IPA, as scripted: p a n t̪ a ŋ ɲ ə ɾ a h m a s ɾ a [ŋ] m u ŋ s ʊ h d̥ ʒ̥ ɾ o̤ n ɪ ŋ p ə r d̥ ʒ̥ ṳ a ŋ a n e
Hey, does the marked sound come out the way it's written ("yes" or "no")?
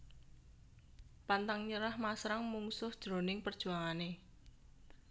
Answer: yes